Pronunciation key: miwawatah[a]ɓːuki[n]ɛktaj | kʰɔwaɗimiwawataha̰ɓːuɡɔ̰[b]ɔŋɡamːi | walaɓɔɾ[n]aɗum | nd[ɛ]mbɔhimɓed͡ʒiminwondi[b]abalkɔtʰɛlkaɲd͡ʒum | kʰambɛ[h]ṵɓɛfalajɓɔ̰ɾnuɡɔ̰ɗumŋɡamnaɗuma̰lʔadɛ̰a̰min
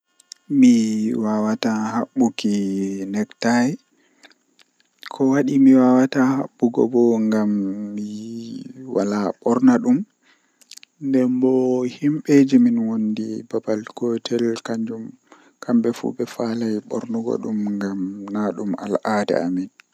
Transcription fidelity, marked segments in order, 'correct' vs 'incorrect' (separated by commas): correct, correct, correct, correct, correct, correct, incorrect